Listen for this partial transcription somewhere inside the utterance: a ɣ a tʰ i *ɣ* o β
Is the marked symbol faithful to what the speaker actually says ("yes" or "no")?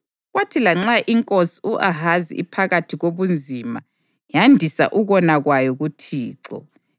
yes